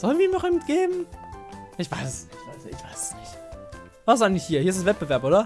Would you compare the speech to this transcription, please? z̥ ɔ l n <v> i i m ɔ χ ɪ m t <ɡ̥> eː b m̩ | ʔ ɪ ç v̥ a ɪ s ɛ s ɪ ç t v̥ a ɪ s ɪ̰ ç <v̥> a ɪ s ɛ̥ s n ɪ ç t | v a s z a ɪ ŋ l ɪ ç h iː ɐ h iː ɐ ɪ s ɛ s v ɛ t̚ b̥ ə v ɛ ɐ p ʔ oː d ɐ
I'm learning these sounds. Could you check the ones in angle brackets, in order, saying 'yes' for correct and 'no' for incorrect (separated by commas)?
yes, yes, yes